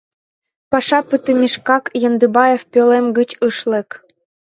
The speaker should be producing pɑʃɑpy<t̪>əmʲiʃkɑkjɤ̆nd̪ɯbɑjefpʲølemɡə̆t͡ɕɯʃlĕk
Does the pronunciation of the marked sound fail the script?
no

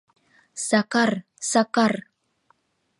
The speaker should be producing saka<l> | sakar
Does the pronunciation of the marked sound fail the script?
yes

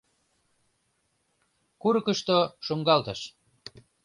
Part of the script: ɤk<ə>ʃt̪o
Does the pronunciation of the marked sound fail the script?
no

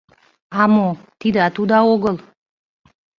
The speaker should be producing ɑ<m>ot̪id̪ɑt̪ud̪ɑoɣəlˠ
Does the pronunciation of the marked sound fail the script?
no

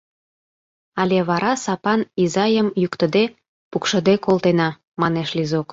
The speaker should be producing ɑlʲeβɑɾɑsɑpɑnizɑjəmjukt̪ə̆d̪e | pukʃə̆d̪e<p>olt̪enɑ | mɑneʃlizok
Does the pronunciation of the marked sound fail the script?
yes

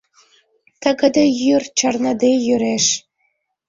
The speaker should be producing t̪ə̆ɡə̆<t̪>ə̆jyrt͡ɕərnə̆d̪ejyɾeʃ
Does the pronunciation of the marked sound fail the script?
yes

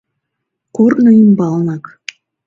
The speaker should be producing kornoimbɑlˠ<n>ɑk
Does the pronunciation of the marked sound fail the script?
no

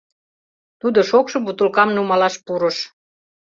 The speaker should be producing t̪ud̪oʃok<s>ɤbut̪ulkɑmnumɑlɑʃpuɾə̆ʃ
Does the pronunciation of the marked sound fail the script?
yes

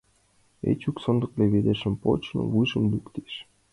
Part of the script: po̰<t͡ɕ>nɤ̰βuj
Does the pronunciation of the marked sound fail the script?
no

